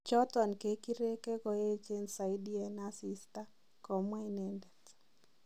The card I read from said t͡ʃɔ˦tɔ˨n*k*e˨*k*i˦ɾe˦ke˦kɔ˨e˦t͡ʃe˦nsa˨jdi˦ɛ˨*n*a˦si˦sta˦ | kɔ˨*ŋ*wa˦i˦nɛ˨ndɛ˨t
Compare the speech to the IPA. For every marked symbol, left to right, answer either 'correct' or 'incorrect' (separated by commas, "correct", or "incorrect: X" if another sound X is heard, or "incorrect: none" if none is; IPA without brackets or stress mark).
correct, correct, correct, incorrect: m